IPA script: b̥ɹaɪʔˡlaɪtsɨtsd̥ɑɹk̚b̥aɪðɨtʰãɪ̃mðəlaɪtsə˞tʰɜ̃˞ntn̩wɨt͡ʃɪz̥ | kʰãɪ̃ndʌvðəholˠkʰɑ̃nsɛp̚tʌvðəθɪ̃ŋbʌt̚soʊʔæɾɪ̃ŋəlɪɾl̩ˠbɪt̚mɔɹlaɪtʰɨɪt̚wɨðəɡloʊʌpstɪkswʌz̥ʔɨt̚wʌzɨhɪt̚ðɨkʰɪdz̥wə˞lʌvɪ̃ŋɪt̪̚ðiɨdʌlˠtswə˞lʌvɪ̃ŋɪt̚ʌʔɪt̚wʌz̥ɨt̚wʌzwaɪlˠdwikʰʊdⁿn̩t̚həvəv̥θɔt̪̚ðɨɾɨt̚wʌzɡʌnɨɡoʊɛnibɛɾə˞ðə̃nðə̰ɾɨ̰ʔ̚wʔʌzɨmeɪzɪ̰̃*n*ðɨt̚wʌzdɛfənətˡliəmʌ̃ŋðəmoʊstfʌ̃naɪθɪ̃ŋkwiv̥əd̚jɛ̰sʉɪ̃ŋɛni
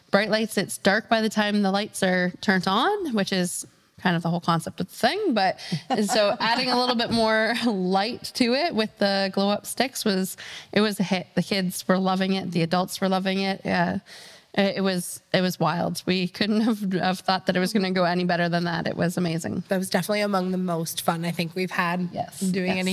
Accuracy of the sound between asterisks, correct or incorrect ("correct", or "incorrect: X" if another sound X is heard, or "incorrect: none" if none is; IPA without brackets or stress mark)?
incorrect: ŋ